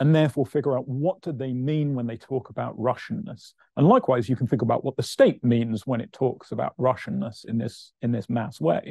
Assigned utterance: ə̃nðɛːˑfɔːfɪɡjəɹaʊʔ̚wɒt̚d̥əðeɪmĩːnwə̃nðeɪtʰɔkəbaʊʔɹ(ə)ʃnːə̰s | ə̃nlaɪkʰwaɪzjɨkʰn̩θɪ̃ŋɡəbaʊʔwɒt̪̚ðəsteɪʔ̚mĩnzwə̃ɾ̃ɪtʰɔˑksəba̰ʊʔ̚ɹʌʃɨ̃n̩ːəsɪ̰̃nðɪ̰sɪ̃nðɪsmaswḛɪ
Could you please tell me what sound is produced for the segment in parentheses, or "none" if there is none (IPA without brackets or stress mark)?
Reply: ʌ